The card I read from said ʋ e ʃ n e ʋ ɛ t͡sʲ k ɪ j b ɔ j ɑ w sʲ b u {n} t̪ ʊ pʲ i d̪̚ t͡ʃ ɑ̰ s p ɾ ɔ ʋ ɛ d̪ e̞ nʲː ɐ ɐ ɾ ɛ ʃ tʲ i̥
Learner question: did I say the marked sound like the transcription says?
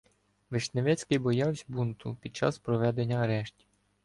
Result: yes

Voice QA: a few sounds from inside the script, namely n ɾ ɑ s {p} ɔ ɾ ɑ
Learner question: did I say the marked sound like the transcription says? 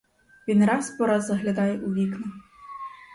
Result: yes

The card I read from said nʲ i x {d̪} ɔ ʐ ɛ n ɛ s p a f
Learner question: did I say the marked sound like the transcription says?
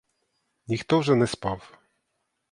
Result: no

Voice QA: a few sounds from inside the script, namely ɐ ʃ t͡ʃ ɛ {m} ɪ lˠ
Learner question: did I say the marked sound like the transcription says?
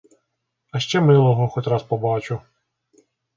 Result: yes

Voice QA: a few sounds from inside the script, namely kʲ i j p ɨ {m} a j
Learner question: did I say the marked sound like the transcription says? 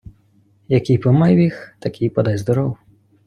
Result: yes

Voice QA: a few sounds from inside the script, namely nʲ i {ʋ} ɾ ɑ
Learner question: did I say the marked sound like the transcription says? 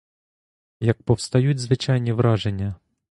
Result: yes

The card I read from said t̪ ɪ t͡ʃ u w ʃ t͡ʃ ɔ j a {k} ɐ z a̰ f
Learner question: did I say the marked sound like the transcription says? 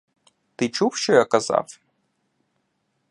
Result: yes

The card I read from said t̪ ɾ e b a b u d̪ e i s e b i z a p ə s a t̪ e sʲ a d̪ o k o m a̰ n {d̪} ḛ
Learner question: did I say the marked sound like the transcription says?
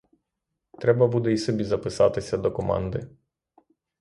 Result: yes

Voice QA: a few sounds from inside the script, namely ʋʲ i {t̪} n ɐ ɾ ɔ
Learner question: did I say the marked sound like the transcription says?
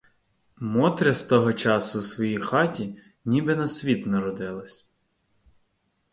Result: yes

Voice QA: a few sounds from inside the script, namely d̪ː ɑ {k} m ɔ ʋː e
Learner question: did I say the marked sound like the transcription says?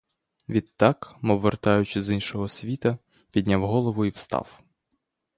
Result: yes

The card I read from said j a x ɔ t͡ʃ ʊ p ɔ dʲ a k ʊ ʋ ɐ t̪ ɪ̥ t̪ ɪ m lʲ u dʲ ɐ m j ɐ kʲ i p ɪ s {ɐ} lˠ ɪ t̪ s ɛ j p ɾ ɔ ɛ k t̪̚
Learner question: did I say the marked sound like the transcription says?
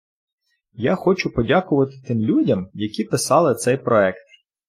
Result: no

